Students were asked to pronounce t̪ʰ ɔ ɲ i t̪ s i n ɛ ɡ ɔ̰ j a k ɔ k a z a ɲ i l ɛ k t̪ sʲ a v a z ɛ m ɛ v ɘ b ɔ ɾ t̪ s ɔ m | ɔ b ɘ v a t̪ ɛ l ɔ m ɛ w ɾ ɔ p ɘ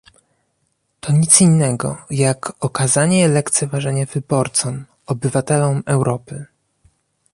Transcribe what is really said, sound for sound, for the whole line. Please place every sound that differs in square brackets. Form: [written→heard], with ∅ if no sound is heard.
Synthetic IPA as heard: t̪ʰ ɔ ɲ i t̪ s i [n→nː] ɛ ɡ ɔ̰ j a k ɔ k a z a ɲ [i→ɛ] l ɛ k t̪ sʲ [a→ɛ] v a [z→ʐ] ɛ [m→ɲ] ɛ v ɘ b ɔ ɾ t̪ s ɔ m | ɔ b ɘ v a t̪ ɛ l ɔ m ɛ w ɾ ɔ p ɘ